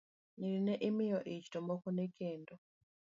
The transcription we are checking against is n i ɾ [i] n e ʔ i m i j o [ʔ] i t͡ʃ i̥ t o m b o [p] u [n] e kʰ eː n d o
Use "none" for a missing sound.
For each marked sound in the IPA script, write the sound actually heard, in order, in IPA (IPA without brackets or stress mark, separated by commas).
i, ʔ, k, n